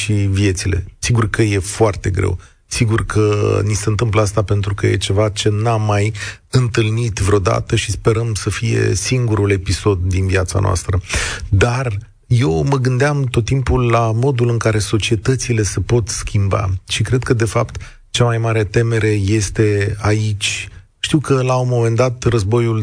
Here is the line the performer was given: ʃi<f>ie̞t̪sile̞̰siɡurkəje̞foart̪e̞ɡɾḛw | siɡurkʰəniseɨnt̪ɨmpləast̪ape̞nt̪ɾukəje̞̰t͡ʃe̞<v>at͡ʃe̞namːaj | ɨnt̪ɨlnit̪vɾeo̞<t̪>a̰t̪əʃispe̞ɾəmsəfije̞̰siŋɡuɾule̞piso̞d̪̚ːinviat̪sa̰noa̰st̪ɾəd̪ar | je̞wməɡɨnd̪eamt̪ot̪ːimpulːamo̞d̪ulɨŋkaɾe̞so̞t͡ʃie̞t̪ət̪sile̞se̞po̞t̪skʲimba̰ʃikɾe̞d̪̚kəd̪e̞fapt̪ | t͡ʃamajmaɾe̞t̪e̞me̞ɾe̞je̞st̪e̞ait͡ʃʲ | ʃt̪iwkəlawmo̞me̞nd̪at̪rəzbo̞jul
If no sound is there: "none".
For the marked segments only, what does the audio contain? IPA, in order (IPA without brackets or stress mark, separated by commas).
v, v, d̪